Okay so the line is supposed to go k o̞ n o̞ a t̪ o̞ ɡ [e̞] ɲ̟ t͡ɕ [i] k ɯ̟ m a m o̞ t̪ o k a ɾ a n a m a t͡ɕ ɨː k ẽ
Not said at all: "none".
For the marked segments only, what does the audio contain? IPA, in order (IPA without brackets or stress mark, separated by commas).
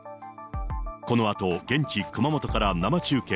ẽ̞, i